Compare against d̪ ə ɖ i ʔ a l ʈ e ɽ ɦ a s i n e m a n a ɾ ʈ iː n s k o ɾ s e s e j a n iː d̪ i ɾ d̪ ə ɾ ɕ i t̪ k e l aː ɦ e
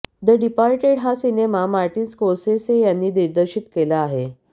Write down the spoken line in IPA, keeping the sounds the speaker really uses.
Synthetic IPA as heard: d̪ ə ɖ i p a ɾ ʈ e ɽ ɦ a s i n e m a m a ɾ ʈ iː n s k o ɾ s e s e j a nː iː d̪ i ɾ d̪ ə ɾ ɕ i t̪ k e l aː ɦ e